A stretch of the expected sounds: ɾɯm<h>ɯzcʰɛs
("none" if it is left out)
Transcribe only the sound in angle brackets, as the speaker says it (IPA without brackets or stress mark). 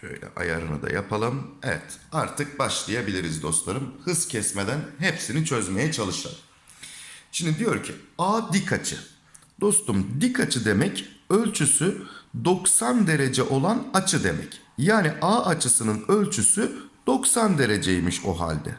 h